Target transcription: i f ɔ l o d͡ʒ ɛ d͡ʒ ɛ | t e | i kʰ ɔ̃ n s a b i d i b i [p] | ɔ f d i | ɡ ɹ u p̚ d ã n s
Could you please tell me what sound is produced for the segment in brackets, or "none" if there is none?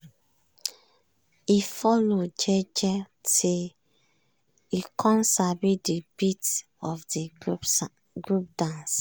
t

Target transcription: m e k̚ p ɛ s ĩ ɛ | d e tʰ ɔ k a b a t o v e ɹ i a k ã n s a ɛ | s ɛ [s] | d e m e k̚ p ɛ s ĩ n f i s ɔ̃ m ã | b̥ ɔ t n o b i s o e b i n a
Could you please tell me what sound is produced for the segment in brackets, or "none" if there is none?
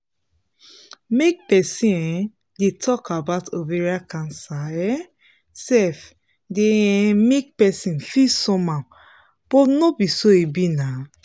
f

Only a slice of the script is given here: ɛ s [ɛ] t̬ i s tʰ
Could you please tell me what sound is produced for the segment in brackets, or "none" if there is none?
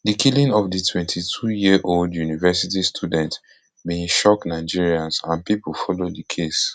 i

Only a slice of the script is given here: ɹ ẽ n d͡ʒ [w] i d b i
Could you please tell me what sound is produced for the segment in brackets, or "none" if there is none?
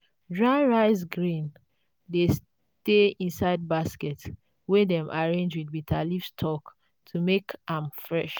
w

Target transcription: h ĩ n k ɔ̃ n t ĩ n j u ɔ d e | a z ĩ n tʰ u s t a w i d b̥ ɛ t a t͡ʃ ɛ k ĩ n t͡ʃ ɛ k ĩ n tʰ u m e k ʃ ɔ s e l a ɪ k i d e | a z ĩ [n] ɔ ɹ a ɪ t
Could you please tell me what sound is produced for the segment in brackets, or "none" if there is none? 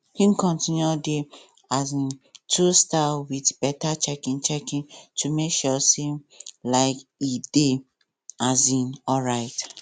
n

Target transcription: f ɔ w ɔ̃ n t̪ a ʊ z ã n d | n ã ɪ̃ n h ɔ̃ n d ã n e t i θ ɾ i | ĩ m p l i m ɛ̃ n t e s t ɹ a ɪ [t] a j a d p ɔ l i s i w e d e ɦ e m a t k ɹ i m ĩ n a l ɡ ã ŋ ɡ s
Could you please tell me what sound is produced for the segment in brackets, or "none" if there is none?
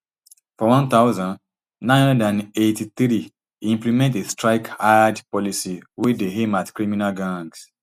k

